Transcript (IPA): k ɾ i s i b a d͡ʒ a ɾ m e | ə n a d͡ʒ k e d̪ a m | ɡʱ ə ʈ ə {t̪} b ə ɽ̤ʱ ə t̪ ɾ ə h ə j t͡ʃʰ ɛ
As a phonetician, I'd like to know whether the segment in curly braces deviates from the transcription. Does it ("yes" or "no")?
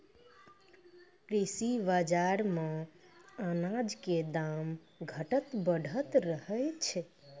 no